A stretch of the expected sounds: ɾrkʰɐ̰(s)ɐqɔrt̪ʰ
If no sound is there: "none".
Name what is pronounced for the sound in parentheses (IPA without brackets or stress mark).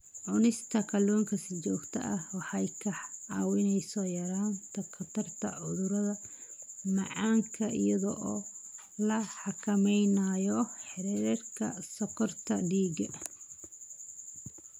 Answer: s